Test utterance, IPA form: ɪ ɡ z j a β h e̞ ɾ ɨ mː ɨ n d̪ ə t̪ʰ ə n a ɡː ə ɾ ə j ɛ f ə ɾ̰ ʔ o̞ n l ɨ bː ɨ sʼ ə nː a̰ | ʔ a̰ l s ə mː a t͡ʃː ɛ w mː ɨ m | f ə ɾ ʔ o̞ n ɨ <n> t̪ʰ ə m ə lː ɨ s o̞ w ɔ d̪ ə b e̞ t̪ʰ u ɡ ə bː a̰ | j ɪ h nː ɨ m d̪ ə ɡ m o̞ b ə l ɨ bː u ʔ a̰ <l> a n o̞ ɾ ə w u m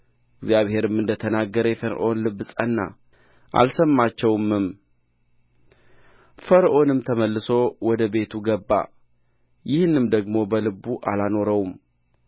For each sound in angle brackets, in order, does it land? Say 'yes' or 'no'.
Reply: no, yes

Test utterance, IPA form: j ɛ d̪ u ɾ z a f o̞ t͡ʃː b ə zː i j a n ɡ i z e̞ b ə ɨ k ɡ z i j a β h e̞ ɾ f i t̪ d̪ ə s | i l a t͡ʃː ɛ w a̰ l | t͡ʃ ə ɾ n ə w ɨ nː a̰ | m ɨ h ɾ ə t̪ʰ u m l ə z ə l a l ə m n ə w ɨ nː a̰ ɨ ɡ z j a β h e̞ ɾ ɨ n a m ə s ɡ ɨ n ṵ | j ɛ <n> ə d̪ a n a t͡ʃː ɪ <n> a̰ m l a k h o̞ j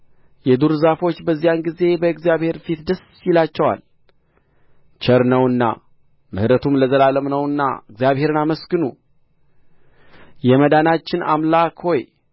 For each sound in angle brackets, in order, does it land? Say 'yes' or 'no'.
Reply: no, yes

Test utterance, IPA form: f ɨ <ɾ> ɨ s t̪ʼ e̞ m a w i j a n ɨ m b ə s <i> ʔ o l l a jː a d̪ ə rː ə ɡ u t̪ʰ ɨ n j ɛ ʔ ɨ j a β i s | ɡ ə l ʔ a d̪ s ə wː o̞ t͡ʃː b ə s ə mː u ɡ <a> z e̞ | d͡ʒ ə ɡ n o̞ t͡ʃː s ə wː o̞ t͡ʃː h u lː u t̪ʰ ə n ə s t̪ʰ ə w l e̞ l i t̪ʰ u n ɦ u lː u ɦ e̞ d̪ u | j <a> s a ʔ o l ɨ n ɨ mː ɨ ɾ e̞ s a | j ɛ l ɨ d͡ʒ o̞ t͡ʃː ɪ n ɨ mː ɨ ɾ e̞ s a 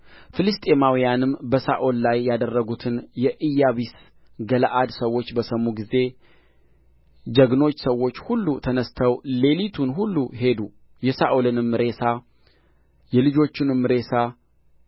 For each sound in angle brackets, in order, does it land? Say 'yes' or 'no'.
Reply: no, no, no, no

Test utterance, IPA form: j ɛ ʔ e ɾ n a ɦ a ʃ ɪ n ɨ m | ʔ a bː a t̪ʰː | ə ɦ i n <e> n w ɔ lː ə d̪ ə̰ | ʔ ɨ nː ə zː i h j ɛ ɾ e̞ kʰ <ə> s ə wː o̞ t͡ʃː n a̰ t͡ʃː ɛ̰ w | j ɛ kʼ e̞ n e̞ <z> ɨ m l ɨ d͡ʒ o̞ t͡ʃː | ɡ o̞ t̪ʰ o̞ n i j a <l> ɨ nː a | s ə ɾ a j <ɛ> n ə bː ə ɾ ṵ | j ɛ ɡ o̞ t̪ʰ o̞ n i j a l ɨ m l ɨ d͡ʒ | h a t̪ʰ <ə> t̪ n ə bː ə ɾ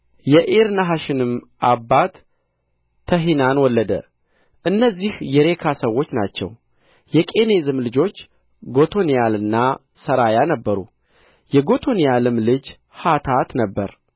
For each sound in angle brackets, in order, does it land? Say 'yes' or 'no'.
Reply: no, no, yes, yes, no, no

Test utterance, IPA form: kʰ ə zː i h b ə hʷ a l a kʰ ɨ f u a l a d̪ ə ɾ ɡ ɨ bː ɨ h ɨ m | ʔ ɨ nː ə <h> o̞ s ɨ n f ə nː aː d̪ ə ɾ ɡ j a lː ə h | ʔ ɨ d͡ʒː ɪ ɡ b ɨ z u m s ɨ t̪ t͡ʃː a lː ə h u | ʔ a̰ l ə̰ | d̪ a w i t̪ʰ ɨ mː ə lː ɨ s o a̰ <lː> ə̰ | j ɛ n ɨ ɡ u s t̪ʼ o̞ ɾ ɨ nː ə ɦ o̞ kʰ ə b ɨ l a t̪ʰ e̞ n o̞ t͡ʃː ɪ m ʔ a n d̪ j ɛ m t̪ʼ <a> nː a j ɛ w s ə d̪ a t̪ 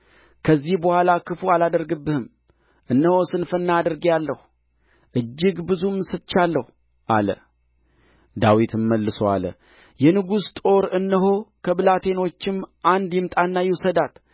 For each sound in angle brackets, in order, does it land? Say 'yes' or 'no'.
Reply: yes, no, yes

